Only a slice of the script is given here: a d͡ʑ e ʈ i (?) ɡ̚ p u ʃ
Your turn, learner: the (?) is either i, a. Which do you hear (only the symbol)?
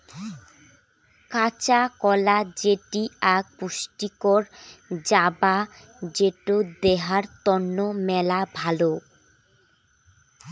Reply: a